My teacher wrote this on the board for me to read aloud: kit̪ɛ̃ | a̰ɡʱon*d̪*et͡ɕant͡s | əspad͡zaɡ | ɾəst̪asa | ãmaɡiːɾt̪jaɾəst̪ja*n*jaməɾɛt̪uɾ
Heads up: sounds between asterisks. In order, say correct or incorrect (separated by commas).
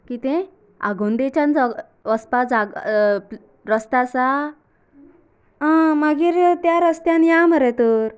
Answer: correct, correct